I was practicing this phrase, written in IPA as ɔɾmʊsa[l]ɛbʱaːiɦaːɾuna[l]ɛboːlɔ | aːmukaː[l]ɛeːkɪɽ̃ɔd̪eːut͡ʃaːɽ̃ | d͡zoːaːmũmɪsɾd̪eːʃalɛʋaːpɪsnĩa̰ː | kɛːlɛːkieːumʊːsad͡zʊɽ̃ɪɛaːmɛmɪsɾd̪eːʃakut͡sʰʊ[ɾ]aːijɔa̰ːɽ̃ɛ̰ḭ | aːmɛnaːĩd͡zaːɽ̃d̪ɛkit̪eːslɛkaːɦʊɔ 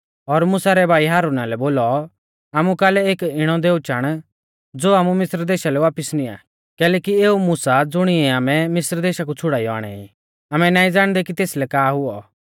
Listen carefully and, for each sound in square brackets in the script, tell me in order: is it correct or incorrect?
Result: incorrect: ɾ, correct, correct, incorrect: ɽ

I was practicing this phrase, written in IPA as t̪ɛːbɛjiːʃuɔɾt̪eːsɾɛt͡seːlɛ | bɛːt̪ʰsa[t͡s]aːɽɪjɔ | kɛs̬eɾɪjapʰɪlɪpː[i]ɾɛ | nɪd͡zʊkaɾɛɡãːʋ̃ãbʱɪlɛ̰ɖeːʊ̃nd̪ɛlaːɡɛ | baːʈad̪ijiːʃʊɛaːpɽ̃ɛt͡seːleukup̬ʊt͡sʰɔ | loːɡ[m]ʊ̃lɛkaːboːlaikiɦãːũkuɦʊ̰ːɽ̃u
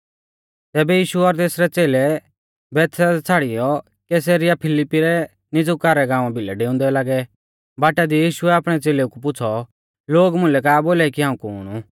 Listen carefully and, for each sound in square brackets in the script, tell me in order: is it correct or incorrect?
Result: incorrect: t͡sʰ, correct, correct

